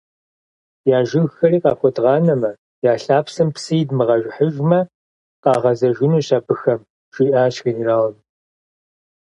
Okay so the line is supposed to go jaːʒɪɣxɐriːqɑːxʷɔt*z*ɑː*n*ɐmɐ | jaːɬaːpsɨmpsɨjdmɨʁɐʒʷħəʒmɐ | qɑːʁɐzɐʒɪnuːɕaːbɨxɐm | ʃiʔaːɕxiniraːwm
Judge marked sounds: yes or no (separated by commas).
no, yes